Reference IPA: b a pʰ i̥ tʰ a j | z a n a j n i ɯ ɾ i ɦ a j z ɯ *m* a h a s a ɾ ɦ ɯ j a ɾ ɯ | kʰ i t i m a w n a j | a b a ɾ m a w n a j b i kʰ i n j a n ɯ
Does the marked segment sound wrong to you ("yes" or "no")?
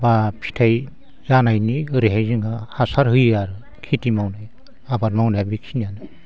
yes